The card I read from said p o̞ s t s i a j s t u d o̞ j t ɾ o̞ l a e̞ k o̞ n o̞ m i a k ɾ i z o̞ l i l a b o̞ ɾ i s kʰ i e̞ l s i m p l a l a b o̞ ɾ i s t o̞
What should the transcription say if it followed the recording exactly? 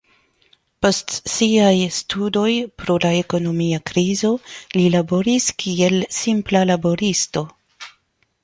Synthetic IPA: p o̞ s t s i a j s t u d o̞ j p ɾ o̞ l a e̞ k o̞ n o̞ m i a k ɾ i z o̞ l i l a b o̞ ɾ i s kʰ i e̞ l s i m p l a l a b o̞ ɾ i s t o̞

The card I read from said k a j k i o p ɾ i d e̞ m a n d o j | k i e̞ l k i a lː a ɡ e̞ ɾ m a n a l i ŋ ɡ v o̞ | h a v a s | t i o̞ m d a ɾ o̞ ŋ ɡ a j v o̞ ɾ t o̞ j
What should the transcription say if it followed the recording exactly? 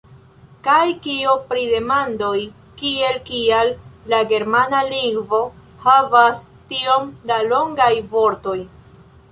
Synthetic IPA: k a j k i o p ɾ i d e̞ m a n d o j | k i e̞ l k i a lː a ɡ e̞ ɾ m a n a l i ŋ ɡ v o̞ | h a v a s | t i o̞ m d a l o̞ ŋ ɡ a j v o̞ ɾ t o̞ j

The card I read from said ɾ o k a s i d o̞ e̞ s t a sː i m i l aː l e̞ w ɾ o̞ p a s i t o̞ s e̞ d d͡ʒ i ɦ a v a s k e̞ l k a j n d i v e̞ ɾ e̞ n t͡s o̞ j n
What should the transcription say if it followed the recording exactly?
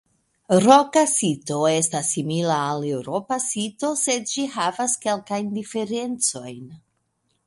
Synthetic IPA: ɾ o k a s i t o̞ e̞ s t a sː i m i l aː l e̞ w ɾ o̞ p a s i t o̞ s e̞ d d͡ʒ i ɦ a v a s k e̞ l k a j n d i f e̞ ɾ e̞ n t͡s o̞ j n

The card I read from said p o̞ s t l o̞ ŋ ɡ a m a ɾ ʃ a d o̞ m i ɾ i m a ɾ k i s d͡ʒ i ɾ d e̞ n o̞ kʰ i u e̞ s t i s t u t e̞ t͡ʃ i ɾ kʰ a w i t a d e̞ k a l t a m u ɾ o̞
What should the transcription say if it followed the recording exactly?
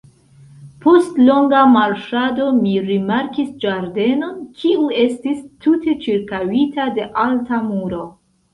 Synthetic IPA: p o̞ s t l o̞ ŋ ɡ a m a ɾ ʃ a d o̞ m i ɾ i m a ɾ k i s d͡ʒ a ɾ d e̞ n o̞ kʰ i u e̞ s t i s t u t e̞ t͡ʃ i ɾ k a w i t a d e̞ ʔ a l t a m u ɾ o̞

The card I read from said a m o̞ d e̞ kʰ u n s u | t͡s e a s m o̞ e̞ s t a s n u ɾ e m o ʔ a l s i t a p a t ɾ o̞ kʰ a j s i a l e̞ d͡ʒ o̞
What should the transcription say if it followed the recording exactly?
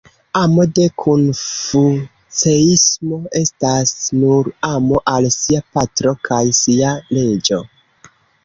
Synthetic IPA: a m o̞ d e̞ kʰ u n f u | t͡s e i s m o̞ e̞ s t a s n u ɾ a m o ʔ a l s i a p a t ɾ o̞ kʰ a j s i a l e̞ d͡ʒ o̞

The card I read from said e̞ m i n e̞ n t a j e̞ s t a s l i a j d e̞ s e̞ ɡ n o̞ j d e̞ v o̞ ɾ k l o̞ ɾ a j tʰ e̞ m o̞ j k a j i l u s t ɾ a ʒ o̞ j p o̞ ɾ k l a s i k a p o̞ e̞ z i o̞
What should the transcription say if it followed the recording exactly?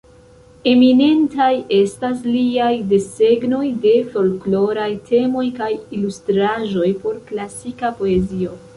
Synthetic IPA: e̞ m i n e̞ n t a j e̞ s t a s l i a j d e̞ s e̞ ɡ n o̞ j d e̞ f o̞ l k l o̞ ɾ a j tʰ e̞ m o̞ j k a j i l u s t ɾ a ʒ o̞ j p o̞ ɾ k l a s i k a p o̞ e̞ z i o̞

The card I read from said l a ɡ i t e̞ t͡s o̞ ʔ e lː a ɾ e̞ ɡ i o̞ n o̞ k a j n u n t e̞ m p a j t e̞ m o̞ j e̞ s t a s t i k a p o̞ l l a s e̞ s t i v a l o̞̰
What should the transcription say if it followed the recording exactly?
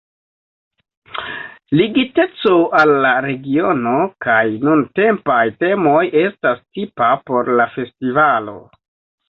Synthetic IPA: l i ɡ i t e̞ t͡s o̞ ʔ a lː a ɾ e̞ ɡ i o̞ n o̞ k a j n u n t e̞ m p a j t e̞ m o̞ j e̞ s t a s t i p a p o̞ ɾ l a f e̞ s t i v a l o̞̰

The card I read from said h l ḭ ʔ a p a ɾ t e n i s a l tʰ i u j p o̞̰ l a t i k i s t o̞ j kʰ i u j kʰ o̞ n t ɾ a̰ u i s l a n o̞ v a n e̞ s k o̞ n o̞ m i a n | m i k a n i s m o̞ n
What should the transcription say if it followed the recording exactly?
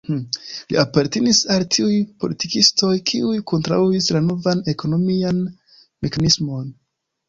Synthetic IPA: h l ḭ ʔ a p a ɾ t e n i s a l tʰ i u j p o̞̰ l i t i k i s t o̞ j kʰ i u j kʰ o̞ n t ɾ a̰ u i s l a n o̞ v a n e̞ k o̞ n o̞ m i a n | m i k a n i s m o̞ n

